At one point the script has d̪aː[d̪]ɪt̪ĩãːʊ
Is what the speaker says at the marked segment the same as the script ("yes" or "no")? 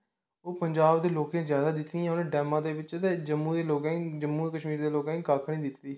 yes